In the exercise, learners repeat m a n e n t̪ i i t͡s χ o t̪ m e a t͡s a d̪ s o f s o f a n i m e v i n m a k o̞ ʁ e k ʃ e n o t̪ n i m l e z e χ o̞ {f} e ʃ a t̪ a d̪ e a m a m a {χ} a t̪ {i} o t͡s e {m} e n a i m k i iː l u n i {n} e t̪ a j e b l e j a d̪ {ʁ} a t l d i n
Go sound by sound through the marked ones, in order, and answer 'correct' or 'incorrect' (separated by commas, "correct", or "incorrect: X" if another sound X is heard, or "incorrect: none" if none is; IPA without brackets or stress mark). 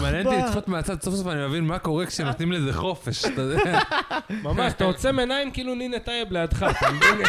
correct, incorrect: ʃ, incorrect: a, correct, correct, incorrect: χ